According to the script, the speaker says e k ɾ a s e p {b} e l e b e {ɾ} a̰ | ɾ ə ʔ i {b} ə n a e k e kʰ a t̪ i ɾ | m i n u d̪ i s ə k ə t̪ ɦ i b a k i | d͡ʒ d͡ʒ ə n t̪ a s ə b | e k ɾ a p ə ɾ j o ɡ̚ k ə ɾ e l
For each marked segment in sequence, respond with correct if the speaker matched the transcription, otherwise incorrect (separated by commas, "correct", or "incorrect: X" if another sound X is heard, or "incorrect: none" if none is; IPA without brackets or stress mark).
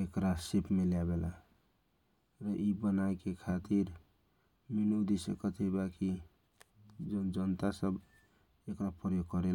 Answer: incorrect: m, incorrect: l, correct